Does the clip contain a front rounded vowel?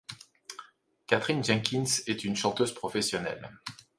yes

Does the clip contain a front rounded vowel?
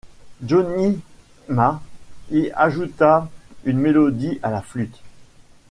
yes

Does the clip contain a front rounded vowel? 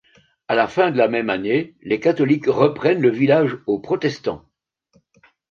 no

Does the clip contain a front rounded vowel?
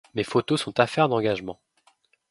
no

